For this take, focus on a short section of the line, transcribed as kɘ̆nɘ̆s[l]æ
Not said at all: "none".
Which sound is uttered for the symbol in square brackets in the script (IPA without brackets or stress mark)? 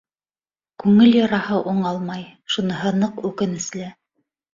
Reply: l